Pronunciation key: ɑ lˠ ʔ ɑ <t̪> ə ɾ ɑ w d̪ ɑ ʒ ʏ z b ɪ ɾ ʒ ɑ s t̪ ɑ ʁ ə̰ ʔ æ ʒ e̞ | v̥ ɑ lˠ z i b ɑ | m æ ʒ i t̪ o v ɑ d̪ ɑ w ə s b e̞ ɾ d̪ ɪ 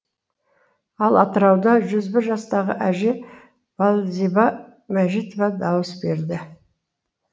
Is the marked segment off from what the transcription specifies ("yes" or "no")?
no